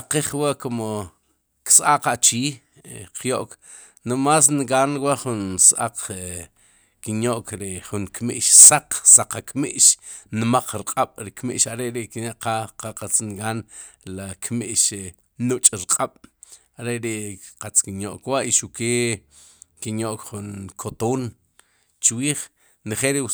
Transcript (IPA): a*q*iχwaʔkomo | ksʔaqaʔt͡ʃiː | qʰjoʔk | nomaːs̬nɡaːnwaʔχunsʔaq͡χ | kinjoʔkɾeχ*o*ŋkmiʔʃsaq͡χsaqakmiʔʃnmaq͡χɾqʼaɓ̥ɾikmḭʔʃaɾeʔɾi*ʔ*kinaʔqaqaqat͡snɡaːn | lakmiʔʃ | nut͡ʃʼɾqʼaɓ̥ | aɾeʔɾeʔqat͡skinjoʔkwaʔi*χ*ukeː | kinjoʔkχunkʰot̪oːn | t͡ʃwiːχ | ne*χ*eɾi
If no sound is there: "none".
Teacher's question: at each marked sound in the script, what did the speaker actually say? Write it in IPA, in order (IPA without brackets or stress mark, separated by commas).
q, u, ʔ, ʃ, χ